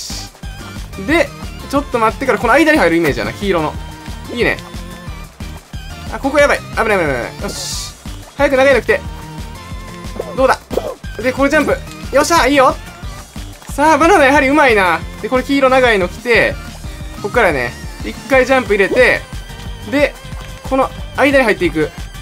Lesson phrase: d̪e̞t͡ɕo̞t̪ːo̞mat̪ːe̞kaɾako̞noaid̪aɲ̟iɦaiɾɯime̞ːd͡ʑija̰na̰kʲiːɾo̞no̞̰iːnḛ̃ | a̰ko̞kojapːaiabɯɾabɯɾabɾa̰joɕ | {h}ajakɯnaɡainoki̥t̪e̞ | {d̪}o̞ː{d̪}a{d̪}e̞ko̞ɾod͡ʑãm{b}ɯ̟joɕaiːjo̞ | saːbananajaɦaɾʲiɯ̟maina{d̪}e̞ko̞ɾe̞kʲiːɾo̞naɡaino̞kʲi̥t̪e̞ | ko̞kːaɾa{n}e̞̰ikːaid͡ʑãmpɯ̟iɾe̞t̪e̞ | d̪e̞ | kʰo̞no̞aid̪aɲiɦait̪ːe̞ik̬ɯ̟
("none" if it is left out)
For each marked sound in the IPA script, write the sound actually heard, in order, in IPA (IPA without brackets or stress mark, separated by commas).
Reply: h, d̪, d̪, d̪, p, d̪, n